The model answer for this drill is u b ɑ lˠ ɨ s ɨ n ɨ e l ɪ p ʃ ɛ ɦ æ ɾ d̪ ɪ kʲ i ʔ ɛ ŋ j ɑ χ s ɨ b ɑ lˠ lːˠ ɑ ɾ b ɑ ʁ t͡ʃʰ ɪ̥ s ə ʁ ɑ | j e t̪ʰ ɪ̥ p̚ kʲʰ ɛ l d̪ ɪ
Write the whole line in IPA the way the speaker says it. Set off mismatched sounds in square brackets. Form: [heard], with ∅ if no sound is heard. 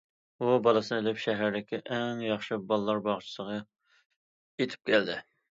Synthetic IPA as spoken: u b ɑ lˠ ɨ s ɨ n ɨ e l ɪ p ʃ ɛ ɦ æ ɾ d̪ ɪ kʲ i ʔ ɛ ŋ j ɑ χ [ʃ] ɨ b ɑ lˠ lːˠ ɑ ɾ b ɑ ʁ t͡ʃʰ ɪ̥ s ə ʁ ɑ | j e t̪ʰ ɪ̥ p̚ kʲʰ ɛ l d̪ ɪ

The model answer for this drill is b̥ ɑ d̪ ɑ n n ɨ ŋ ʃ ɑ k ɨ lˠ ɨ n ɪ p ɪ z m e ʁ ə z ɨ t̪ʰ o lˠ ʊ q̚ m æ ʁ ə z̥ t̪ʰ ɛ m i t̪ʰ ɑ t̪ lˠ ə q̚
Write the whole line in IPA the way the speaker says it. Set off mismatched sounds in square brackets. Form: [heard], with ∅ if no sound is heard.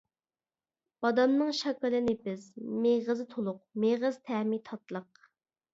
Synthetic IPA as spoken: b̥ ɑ d̪ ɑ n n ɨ ŋ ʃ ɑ k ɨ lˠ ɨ n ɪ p ɪ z m e ʁ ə z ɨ t̪ʰ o lˠ ʊ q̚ m [e] ʁ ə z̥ t̪ʰ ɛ m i t̪ʰ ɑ t̪ lˠ ə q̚

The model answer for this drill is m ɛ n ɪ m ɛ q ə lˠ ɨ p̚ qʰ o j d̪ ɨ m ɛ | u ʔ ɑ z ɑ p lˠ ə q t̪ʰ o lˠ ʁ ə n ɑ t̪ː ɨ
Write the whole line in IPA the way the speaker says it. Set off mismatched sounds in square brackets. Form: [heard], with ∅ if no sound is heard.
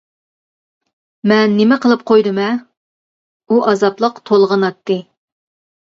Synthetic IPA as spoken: m ɛ [nː] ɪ m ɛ q ə lˠ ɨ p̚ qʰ o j d̪ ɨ m ɛ | u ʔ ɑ z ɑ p lˠ ə q t̪ʰ o lˠ ʁ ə n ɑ t̪ː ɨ

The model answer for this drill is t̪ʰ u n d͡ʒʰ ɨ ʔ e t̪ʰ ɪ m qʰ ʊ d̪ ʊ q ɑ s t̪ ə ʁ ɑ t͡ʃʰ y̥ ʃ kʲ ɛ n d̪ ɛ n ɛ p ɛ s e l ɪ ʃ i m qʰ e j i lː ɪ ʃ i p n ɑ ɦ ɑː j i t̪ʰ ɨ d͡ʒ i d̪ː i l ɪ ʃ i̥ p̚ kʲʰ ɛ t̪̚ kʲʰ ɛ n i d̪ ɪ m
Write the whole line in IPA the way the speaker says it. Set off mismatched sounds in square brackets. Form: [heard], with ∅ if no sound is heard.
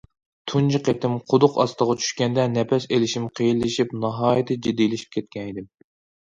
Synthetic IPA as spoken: t̪ʰ u n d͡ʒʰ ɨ [q] e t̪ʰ ɪ m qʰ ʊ d̪ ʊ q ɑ s t̪ ə ʁ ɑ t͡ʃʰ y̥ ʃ kʲ ɛ n d̪ ɛ n ɛ p ɛ s e l ɪ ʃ i m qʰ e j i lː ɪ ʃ i p n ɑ ɦ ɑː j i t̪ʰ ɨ d͡ʒ i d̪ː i l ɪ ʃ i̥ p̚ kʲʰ ɛ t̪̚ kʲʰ ɛ n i d̪ ɪ m

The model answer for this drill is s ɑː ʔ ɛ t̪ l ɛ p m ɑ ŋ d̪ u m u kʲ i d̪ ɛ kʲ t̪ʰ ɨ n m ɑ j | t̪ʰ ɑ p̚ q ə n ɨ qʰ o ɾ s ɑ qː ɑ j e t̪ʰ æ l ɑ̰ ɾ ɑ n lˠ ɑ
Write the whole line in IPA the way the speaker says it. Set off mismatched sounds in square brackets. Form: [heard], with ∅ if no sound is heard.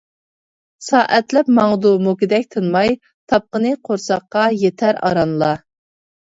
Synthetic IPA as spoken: s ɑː ʔ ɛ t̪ l ɛ p m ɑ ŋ d̪ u m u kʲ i d̪ ɛ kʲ t̪ʰ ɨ n m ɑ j | t̪ʰ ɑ p̚ q ə n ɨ qʰ o ɾ s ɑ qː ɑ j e t̪ʰ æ [ɾ] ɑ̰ ɾ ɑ n lˠ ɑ

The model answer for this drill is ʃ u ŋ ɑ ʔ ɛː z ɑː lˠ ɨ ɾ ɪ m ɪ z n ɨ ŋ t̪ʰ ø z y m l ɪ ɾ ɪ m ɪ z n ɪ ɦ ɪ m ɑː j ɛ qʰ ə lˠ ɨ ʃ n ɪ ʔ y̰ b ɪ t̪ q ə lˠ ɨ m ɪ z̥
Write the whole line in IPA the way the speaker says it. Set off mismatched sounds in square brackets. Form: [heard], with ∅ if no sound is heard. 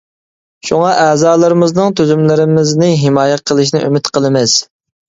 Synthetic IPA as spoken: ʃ u ŋ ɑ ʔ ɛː z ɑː lˠ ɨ ɾ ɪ m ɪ z n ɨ ŋ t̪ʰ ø z y m l ɪ ɾ ɪ m ɪ z n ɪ ɦ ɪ m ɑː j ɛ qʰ ə lˠ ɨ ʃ n ɪ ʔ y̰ [m] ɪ t̪ q ə lˠ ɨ m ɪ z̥

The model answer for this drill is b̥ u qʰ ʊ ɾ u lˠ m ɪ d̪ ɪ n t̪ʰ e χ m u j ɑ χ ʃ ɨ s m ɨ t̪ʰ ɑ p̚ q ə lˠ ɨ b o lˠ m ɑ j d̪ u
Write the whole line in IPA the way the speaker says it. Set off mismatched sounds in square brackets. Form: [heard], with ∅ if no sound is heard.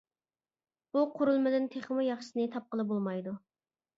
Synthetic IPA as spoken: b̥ u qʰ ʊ ɾ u lˠ m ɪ d̪ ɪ n t̪ʰ e χ m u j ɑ χ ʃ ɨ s [n] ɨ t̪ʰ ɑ p̚ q ə lˠ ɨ b o lˠ m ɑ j d̪ u

